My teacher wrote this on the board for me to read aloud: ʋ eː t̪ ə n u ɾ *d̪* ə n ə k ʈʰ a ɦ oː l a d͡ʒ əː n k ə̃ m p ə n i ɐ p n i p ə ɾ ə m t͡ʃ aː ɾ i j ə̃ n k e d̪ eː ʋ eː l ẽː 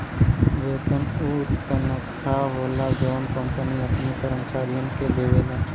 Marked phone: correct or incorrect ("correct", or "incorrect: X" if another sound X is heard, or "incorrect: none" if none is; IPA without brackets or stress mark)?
incorrect: t̪